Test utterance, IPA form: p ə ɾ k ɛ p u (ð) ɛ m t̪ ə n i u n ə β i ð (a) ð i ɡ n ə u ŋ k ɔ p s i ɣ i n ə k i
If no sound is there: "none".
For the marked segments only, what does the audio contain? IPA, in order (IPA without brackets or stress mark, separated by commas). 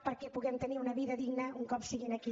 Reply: ɣ, ə